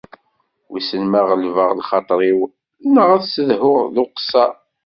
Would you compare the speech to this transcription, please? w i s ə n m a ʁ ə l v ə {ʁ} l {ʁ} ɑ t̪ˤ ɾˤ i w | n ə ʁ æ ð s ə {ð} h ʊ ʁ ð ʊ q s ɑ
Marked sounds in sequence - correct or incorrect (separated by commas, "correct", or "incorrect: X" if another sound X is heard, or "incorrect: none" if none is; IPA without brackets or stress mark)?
correct, incorrect: χ, correct